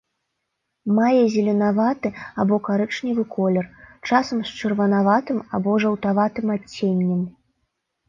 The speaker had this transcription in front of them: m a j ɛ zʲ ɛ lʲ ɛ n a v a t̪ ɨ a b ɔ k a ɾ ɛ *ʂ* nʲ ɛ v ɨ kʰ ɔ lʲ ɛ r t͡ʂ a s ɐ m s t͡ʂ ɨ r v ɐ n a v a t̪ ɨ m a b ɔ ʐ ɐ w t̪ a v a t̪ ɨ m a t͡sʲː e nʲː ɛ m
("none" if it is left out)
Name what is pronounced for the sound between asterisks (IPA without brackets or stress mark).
t͡ʂ